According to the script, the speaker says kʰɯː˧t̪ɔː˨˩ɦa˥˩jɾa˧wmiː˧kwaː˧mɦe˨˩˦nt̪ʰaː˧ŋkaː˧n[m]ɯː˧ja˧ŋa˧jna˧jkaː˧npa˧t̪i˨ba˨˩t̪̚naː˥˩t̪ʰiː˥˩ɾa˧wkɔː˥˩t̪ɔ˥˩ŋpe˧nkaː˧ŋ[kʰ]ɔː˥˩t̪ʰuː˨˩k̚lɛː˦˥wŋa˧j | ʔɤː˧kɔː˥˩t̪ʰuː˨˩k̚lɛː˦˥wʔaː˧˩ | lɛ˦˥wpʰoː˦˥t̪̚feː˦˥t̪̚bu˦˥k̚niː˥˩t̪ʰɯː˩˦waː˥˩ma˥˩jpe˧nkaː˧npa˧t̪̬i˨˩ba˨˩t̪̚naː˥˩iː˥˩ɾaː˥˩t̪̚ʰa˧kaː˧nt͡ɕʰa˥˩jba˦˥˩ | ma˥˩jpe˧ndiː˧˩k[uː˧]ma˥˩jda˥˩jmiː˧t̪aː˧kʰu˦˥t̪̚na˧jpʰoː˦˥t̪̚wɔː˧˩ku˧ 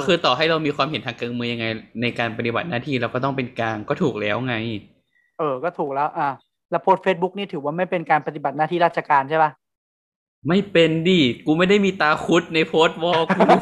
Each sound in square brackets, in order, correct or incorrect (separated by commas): correct, incorrect, correct